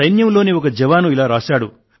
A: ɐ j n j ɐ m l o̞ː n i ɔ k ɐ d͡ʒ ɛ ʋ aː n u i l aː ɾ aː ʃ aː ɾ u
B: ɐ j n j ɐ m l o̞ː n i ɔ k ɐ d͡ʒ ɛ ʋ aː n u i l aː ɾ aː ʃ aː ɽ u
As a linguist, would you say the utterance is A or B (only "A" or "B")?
B